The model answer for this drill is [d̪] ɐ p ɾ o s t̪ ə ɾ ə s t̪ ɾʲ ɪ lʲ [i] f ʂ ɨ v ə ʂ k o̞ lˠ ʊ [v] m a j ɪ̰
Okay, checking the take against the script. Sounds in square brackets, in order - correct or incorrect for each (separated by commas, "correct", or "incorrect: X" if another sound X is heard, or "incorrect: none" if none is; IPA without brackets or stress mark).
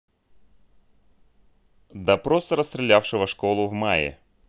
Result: correct, incorrect: a, correct